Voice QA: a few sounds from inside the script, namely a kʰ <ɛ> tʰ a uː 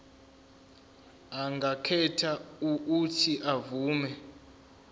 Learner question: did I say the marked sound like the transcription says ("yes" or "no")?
yes